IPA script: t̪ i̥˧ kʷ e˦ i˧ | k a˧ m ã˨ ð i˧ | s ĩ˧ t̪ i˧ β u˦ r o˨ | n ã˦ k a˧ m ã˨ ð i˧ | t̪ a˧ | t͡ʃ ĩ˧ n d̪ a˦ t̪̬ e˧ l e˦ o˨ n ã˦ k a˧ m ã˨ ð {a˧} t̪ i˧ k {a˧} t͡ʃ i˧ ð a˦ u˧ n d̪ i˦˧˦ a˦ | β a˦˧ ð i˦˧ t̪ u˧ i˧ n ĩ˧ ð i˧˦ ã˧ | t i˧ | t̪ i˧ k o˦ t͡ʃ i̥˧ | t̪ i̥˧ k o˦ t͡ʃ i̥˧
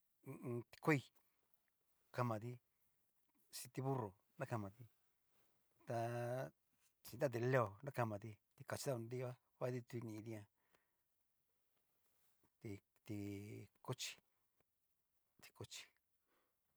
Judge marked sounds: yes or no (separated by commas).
no, yes